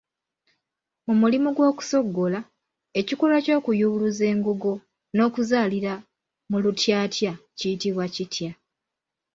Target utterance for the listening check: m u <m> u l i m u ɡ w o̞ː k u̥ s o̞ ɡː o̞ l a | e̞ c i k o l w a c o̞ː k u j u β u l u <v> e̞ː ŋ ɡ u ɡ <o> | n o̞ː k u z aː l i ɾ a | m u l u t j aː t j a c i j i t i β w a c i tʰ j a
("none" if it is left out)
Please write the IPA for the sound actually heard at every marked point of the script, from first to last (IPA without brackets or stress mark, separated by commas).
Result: m, z, o